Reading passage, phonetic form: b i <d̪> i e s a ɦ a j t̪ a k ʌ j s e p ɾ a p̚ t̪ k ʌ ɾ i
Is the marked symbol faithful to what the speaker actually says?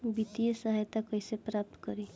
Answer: no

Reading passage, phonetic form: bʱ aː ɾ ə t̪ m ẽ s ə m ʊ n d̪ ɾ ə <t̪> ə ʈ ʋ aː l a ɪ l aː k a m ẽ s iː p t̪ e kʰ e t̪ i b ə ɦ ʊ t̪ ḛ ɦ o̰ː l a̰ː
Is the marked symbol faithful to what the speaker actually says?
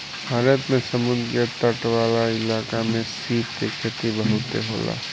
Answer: yes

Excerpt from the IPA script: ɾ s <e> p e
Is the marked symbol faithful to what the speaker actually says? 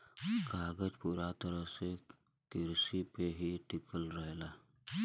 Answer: no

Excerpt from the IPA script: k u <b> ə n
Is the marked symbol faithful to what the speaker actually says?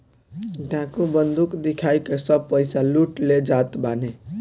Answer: yes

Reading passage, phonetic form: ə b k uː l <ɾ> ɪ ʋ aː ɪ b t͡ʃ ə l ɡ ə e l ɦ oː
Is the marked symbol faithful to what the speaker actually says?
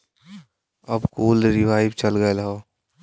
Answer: yes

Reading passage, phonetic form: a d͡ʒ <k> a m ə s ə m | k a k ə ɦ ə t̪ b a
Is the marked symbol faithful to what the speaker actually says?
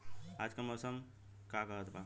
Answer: yes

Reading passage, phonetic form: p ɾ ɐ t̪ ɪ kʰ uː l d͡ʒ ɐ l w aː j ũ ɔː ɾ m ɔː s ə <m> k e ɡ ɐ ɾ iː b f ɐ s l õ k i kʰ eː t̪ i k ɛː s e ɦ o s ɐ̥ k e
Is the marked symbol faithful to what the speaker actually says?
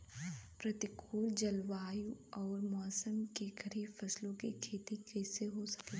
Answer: yes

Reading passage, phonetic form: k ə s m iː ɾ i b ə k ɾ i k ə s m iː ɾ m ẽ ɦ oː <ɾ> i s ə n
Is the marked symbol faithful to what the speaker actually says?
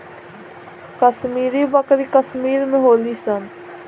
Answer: no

